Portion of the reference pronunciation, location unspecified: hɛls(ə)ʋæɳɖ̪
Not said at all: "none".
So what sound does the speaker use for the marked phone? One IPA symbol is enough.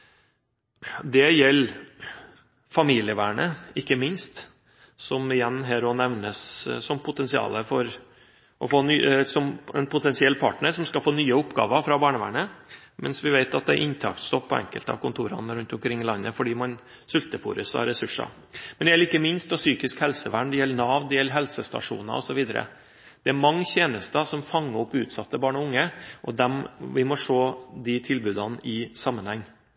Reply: ə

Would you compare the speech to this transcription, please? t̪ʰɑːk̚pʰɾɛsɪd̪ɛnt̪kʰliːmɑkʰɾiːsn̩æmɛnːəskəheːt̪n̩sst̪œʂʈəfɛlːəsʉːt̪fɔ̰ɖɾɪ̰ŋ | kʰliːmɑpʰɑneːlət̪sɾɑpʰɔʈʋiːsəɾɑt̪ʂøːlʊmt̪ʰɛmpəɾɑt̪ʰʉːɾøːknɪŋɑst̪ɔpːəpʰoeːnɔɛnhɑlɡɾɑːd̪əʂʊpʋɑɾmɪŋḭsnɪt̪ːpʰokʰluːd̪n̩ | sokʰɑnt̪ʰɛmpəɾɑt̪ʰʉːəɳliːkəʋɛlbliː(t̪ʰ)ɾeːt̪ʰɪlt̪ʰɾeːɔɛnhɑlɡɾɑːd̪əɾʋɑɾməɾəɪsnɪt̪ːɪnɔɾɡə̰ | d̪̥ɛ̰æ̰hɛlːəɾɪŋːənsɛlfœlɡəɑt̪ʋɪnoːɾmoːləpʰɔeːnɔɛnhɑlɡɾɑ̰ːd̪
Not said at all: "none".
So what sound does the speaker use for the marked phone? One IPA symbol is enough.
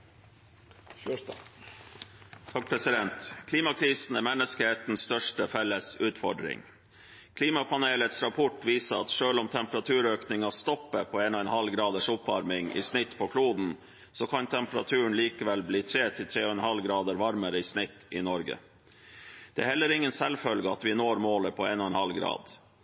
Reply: t̪ʰ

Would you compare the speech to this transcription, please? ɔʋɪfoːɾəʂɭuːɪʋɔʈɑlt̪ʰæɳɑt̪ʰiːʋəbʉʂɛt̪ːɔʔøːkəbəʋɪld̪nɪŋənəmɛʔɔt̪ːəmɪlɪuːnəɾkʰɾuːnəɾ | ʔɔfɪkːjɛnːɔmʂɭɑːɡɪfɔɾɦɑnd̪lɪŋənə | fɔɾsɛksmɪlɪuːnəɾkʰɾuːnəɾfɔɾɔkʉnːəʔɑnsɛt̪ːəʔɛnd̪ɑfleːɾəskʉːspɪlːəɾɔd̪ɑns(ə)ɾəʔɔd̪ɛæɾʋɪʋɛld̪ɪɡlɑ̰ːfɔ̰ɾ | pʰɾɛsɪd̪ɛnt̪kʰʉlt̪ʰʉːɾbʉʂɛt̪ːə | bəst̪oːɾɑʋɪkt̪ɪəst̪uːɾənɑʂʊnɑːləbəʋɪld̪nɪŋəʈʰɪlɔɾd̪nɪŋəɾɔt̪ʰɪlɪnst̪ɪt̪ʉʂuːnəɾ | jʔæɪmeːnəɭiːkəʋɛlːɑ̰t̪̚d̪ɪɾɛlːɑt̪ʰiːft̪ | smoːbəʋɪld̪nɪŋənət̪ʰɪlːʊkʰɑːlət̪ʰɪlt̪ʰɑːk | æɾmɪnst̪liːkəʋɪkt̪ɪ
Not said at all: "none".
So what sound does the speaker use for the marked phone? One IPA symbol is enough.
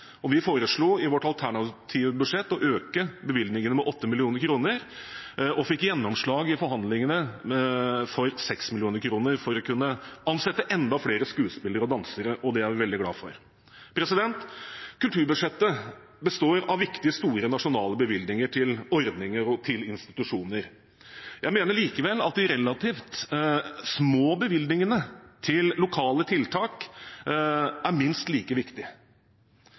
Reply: ə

